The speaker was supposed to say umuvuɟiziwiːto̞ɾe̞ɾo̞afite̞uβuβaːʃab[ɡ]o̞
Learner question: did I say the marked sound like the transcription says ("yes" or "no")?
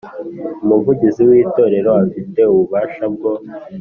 yes